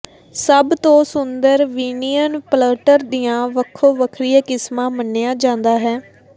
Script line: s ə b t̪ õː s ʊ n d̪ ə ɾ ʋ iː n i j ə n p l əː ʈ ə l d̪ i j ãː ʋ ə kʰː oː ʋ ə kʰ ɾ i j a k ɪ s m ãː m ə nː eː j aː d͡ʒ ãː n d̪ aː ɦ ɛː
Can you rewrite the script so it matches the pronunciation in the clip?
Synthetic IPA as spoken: s ə b t̪ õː s ʊ n d̪ ə ɾ ʋ iː n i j ə n p l əː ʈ ə ɾ d̪ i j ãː ʋ ə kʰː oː ʋ ə kʰ ɾ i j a k ɪ s m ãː m ə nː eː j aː d͡ʒ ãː n d̪ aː ɦ ɛː